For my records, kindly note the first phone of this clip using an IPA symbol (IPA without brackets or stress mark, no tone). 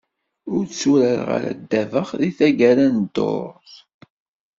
ʊ